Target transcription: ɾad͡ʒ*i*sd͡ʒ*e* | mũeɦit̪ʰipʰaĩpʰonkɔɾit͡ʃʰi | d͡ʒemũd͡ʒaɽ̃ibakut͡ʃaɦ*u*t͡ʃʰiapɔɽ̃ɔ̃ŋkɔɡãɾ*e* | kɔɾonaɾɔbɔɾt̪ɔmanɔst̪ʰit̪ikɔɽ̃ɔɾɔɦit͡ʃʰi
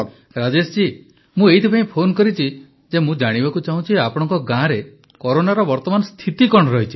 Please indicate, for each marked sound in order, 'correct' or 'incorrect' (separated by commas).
incorrect, incorrect, incorrect, correct